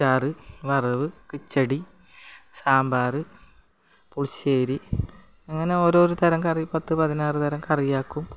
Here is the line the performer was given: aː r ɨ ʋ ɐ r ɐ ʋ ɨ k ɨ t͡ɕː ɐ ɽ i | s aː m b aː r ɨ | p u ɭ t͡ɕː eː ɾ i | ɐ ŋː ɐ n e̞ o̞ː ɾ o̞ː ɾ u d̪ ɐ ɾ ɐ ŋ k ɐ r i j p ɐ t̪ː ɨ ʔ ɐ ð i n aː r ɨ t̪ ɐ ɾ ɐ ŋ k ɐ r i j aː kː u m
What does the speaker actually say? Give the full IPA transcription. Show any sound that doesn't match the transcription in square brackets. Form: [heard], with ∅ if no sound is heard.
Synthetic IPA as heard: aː r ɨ ʋ ɐ r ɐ ʋ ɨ k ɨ t͡ɕː ɐ ɽ i | s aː m b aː r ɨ | p u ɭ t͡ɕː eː ɾ i | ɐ ŋː ɐ n e̞ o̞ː ɾ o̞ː ɾ u [t̪] ɐ ɾ ɐ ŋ k ɐ r i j p ɐ t̪ː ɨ [p] ɐ ð i n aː r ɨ t̪ ɐ ɾ ɐ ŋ k ɐ r i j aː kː u m